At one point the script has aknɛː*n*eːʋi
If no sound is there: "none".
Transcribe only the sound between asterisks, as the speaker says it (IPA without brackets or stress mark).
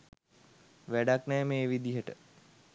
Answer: m